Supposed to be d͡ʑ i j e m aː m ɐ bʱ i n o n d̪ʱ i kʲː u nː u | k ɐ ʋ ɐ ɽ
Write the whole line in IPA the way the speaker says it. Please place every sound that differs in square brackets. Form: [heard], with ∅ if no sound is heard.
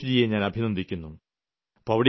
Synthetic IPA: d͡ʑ i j e [ɲ] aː [n] ɐ bʱ i n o n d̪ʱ i kʲː u nː u | [p] ɐ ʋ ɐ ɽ